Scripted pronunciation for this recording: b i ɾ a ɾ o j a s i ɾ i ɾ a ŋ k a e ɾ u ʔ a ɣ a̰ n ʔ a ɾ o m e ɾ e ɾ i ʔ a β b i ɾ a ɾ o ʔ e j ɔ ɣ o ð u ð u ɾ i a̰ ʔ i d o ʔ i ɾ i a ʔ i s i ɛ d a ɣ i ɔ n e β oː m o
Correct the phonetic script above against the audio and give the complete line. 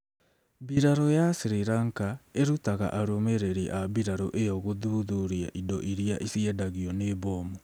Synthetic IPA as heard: b i ɾ a ɾ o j a s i ɾ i ɾ a ŋ k a e ɾ u t a ɣ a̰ ʔ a ɾ o m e ɾ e ɾ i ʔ a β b i ɾ a ɾ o ʔ e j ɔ ɣ o ð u ð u ɾ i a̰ ʔ i d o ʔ i ɾ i a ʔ i s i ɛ d a ɣ i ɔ n e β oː m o

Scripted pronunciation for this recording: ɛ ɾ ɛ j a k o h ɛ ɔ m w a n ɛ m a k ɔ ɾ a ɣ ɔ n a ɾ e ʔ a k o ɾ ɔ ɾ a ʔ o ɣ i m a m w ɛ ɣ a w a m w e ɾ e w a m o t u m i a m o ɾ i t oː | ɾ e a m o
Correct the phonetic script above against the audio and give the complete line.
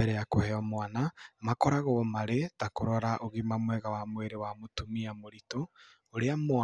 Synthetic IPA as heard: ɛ ɾ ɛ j a k o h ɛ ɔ m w a n a m a k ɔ ɾ a ɣ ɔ m a ɾ e t a k o ɾ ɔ ɾ a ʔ o ɣ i m a m w ɛ ɣ a w a m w e ɾ e w a m o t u m i a m o ɾ i t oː | ɾ e a m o

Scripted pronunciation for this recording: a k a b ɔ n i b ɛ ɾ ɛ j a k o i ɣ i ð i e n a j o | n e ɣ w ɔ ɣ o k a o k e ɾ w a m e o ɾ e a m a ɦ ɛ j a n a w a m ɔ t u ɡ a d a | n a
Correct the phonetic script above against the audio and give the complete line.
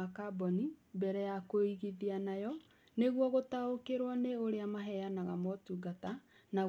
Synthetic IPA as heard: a k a b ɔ n i b ɛ ɾ ɛ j a k o i ɣ i ð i a n a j ɔ | n e ɣ w ɔ ɣ o t a o k e ɾ w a n e o ɾ e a m a ɦ ɛ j a n a ɣ a m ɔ t u ɡ a t a | n a

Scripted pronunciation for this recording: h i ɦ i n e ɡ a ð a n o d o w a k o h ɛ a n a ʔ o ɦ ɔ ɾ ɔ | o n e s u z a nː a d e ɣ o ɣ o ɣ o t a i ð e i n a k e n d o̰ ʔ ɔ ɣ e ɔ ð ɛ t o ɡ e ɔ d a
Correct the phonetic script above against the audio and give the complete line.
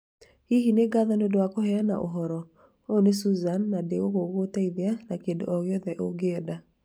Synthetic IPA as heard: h i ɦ i n e ɡ a ð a n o d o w a k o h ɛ a n a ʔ o ɦ ɔ ɾ ɔ | o n e s u z a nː a d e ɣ o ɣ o ɣ o t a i ð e a n a k e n d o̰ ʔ ɔ ɣ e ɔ ð ɛ ʔ o ɡ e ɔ d a

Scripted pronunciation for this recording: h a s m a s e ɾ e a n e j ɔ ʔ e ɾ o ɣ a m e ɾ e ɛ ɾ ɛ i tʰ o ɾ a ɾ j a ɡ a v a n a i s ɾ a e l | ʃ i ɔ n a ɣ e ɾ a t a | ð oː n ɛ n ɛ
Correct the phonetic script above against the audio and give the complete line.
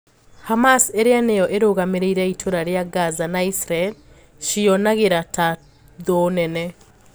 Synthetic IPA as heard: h a m a s e ɾ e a n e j ɔ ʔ e ɾ o ɣ a m e ɾ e i ɾ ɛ i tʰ o ɾ a ɾ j a ɡ a z a n a i s ɾ a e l | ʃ i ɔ n a ɣ e ɾ a t a | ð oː n ɛ n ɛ

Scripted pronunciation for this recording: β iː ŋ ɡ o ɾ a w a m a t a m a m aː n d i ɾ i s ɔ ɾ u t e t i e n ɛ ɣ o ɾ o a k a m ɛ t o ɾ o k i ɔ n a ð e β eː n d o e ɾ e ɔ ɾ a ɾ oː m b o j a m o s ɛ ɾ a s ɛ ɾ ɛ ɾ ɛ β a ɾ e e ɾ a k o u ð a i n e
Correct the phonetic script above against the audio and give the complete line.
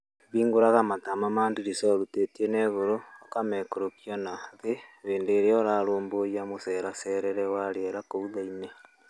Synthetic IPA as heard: β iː ŋ ɡ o ɾ a ɣ a m a t a m a m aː n d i ɾ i s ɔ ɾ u t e t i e n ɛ ɣ o ɾ o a k a m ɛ k o ɾ o k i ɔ n a ð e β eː n d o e ɾ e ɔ ɾ a ɾ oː m b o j a m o s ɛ ɾ a s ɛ ɾ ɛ ɾ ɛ w a ɾ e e ɾ a k o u ð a i n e

